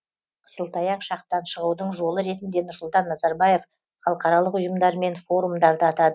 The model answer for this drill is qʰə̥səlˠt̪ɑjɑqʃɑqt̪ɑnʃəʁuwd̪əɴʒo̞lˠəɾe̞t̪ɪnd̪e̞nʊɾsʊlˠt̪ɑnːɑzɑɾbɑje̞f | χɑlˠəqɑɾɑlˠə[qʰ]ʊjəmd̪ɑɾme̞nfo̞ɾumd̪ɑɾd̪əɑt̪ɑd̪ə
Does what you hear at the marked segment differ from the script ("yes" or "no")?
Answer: yes